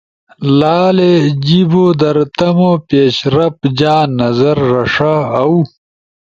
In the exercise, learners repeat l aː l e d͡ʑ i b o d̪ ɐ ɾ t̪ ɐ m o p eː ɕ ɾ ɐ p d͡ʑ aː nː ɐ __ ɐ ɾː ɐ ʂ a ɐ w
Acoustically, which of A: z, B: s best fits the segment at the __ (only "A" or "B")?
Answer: A